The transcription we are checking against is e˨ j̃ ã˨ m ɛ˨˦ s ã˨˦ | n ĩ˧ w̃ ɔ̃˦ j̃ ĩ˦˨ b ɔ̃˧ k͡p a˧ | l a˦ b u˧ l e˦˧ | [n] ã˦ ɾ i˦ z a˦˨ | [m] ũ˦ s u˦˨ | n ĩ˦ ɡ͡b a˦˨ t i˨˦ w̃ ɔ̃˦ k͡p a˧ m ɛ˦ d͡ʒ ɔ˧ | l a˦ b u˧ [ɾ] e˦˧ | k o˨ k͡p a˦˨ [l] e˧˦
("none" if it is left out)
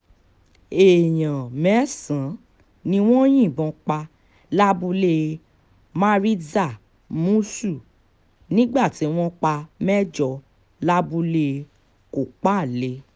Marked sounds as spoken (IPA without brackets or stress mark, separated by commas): m, m, l, l